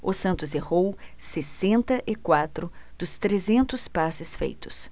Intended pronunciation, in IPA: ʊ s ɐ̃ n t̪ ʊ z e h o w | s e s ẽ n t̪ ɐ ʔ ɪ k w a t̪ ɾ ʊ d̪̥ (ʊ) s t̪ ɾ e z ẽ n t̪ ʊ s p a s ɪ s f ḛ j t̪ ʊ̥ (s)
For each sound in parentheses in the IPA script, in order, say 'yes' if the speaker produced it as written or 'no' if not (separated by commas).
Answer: yes, yes